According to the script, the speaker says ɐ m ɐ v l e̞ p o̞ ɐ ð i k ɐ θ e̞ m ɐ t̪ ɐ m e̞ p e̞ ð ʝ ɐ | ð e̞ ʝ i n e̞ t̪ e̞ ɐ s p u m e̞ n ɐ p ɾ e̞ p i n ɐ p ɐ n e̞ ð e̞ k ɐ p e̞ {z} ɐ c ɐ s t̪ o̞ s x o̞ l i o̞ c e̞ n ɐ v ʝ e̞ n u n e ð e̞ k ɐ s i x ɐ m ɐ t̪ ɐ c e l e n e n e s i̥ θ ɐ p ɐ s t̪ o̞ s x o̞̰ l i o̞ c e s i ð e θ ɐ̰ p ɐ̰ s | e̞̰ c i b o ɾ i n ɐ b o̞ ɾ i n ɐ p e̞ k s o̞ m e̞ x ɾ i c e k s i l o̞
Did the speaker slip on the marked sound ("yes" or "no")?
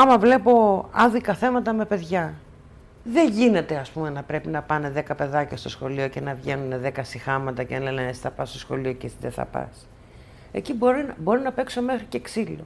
yes